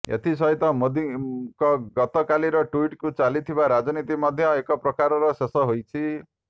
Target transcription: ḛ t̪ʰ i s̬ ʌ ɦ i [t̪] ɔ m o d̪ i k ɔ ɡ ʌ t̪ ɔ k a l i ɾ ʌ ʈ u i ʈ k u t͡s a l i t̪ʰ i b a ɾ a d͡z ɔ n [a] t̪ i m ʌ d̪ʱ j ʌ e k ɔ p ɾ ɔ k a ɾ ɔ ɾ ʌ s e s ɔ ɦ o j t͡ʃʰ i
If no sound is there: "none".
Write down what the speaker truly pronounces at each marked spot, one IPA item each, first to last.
t̪, i

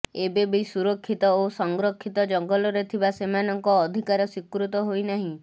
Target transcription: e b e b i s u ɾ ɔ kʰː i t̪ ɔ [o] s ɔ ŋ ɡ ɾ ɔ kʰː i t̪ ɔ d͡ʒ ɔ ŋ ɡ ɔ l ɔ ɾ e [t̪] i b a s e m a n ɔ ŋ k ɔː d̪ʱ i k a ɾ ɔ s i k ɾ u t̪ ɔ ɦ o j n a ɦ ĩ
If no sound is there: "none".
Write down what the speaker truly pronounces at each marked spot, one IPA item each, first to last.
o, t̪ʰ

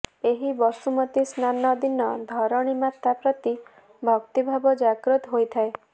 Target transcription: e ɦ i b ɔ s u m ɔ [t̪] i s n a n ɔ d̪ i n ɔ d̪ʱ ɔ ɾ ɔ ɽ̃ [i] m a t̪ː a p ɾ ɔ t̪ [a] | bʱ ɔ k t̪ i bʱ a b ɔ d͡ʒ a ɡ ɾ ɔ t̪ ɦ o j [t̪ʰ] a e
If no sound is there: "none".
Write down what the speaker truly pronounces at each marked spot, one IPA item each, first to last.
t̪, i, i, t̪ʰ

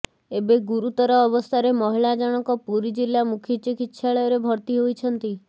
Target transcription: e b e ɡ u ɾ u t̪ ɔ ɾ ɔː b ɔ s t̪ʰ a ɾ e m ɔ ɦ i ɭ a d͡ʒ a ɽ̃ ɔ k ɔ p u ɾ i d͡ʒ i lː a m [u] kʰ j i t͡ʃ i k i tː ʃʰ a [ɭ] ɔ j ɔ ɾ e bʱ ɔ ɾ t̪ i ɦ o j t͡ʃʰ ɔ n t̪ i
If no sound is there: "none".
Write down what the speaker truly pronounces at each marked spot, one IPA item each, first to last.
u, ɭ

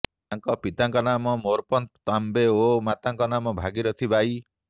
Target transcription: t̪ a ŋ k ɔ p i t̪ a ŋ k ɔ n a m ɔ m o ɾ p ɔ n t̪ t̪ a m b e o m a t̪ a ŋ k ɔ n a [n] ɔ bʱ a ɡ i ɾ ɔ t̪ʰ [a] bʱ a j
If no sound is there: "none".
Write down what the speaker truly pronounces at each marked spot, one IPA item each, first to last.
m, i

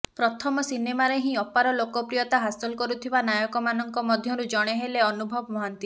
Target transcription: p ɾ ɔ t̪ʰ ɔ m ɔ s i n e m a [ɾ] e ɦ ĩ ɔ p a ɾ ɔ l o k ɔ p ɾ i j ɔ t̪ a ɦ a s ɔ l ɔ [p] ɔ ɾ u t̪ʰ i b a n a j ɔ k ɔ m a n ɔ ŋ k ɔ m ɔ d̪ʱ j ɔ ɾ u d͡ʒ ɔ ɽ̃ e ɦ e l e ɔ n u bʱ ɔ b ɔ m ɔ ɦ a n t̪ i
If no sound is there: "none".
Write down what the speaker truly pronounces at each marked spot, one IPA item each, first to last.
ɾ, k

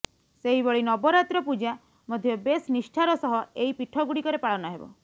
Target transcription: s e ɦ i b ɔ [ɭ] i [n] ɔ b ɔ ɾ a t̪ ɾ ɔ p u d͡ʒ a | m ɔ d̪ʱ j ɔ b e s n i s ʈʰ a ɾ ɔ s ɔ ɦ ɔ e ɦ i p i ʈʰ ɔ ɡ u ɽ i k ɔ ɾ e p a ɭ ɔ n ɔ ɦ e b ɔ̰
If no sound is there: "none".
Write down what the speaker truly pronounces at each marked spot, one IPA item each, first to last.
ɭ, n

